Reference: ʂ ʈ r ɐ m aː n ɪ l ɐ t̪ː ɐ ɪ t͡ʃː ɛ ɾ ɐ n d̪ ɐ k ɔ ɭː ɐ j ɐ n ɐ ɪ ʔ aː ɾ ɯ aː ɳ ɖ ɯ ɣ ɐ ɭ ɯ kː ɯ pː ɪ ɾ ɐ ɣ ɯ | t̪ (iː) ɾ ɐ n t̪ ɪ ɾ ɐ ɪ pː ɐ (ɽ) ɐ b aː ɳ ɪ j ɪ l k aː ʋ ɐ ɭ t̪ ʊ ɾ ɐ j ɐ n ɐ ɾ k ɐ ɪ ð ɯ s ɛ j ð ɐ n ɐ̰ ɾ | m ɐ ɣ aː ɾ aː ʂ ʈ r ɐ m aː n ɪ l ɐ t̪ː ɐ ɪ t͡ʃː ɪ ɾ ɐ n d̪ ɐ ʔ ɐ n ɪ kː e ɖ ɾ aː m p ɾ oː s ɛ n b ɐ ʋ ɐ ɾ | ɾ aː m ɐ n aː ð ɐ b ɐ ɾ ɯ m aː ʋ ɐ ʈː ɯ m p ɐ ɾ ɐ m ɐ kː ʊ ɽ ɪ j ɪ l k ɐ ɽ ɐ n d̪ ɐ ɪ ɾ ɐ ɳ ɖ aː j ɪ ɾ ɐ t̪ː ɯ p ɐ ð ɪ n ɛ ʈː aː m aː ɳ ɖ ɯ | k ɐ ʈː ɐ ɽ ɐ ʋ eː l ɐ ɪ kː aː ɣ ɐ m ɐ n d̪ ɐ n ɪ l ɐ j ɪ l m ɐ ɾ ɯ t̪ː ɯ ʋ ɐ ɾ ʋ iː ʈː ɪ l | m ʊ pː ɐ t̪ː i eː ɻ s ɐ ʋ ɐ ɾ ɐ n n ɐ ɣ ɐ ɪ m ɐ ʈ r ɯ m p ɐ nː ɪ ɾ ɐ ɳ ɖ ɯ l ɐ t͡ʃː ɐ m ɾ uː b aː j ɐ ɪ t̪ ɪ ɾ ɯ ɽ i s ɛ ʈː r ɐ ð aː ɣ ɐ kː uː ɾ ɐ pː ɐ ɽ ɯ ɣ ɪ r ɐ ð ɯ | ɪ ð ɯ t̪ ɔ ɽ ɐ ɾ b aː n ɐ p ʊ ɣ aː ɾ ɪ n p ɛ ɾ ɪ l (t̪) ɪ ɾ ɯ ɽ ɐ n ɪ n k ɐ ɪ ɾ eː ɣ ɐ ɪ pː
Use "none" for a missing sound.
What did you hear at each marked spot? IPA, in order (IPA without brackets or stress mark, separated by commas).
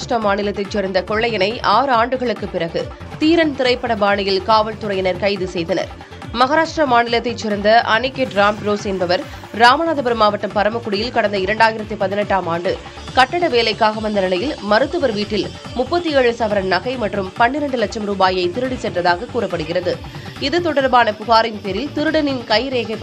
iː, ɽ, t̪